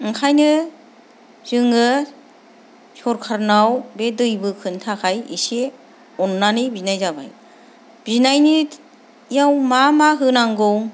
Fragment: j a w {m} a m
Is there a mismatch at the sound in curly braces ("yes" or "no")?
no